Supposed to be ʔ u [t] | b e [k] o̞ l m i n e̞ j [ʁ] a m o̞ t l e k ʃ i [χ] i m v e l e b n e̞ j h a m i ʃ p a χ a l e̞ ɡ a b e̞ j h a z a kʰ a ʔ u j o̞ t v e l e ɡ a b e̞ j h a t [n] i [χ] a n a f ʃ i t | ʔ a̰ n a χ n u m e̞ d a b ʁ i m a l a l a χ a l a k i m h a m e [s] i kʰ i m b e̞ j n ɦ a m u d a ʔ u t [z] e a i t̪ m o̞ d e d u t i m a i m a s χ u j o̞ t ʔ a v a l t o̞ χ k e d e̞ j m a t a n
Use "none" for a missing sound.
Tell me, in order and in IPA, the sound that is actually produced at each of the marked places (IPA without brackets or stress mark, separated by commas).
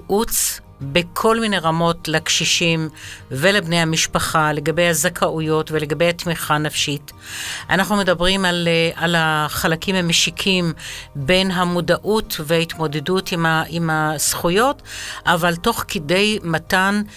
t͡s, kʰ, ʁ, ʃ, m, χ, ʃ, v